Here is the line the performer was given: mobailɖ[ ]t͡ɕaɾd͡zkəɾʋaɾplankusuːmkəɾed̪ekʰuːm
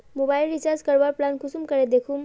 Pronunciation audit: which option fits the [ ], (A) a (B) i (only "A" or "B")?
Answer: B